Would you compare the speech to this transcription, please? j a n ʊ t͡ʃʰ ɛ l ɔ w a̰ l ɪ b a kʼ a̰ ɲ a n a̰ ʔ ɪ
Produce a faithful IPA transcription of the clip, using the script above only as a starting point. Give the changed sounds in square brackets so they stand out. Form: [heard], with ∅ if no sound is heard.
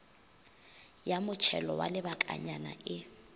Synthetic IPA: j a [m] ʊ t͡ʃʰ ɛ l ɔ w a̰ l ɪ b a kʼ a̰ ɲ a n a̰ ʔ ɪ